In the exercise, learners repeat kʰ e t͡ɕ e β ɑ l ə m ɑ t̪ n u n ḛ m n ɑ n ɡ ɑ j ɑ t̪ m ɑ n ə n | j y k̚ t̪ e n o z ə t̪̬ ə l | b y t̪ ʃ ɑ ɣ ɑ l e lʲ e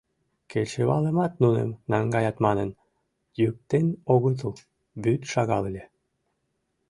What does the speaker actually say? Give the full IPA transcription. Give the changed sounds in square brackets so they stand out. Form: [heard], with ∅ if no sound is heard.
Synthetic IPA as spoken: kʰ e t͡ɕ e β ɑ l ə m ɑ t̪ n u n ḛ m n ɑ [ŋ] ɡ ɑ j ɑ t̪ m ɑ n ə n | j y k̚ t̪ e n o [ɣ] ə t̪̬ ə l | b y t̪ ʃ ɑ ɣ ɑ l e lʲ e